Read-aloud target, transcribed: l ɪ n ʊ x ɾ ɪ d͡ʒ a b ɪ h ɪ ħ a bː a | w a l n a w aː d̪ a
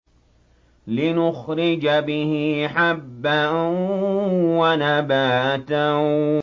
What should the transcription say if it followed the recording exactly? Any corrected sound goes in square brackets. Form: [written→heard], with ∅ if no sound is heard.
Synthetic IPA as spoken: l ɪ n ʊ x ɾ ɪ d͡ʒ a b ɪ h ɪ ħ a bː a | w a [l→∅] n a [w→b] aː [d̪→t̪] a